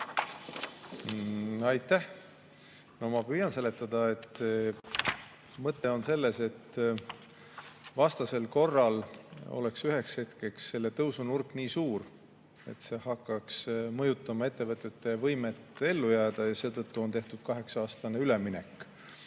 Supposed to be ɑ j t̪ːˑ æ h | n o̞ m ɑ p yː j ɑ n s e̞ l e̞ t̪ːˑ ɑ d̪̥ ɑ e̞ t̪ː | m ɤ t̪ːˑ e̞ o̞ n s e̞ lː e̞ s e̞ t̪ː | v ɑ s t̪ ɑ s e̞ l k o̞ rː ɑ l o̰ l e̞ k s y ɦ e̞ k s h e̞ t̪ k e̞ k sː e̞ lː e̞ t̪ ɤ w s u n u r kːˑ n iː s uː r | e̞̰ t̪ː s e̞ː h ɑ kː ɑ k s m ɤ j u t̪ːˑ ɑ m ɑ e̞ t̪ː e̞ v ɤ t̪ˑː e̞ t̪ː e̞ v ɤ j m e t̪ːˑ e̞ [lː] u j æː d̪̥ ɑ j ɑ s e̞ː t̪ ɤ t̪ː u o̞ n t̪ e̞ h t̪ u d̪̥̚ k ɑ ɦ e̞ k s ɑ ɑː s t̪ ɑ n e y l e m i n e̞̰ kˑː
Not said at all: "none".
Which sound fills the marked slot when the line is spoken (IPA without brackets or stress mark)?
lː